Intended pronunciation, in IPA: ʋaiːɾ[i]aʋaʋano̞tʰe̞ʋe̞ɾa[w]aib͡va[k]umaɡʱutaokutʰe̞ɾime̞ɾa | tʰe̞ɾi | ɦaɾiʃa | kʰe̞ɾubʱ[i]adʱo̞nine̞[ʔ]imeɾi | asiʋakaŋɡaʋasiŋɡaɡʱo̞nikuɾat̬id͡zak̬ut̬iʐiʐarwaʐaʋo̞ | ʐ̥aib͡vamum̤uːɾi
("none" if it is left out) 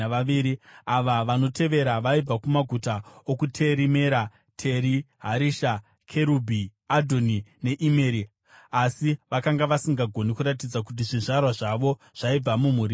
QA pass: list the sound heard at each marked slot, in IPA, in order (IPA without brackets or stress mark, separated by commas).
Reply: i, ʋ, k, i, ʔ